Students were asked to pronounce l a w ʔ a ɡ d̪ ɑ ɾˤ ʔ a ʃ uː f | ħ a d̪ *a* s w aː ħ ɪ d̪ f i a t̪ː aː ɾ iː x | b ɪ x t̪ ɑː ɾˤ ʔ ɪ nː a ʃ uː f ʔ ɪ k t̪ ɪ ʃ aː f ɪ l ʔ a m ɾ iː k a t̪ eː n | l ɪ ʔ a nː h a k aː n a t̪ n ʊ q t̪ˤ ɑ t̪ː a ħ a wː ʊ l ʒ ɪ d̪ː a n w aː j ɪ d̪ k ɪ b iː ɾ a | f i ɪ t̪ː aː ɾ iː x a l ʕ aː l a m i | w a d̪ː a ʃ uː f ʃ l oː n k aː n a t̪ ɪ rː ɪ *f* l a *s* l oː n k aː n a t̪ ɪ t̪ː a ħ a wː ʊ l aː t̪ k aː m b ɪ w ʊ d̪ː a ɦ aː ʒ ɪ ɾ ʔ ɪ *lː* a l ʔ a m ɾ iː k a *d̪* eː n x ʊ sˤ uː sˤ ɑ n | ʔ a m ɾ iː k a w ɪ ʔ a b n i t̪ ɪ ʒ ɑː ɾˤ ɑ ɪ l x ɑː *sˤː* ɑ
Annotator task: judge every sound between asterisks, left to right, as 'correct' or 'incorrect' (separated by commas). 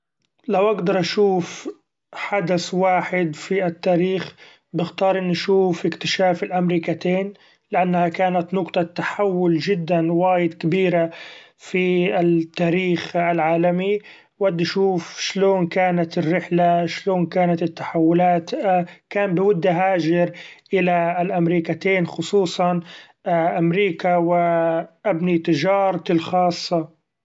correct, incorrect, incorrect, incorrect, incorrect, correct